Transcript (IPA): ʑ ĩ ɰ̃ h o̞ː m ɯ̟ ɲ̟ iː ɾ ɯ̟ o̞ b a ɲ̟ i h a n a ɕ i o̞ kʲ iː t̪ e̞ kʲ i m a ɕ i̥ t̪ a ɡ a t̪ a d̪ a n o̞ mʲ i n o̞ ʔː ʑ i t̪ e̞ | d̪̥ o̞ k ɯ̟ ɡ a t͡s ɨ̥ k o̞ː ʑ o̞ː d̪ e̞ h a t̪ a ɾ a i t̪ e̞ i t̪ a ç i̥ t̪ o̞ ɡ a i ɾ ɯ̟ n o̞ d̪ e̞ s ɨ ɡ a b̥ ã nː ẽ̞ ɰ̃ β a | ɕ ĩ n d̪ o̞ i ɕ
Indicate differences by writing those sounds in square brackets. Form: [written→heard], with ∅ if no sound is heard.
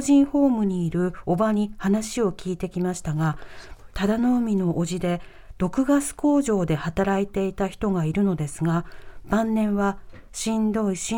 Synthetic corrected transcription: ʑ ĩ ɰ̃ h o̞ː m ɯ̟ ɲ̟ iː ɾ ɯ̟ o̞ b a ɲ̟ i h a n a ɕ i o̞ kʲ iː t̪ e̞ kʲ i m a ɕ i̥ t̪ a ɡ a t̪ a d̪ a n o̞ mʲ i n o̞ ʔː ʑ i [t̪→d̪] e̞ | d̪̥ o̞ k ɯ̟ ɡ a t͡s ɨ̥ k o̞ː ʑ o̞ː d̪ e̞ h a t̪ a ɾ a i t̪ e̞ i t̪ a ç i̥ t̪ o̞ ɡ a i ɾ ɯ̟ n o̞ d̪ e̞ s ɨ ɡ a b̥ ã nː ẽ̞ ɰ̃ β a | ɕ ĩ n d̪ o̞ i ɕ